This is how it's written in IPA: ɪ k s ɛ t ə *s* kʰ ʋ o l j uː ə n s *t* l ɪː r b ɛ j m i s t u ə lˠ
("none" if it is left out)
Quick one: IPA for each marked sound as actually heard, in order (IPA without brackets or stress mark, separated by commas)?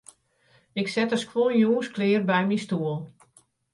s, k